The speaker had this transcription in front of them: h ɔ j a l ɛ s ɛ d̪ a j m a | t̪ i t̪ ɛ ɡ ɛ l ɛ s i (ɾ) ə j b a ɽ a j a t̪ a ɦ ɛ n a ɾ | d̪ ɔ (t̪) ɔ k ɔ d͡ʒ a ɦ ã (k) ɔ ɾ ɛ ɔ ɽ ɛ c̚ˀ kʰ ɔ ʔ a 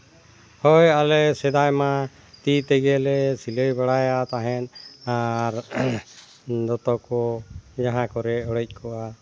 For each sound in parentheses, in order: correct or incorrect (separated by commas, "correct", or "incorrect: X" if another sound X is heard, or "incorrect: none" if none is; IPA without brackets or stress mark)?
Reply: incorrect: l, correct, correct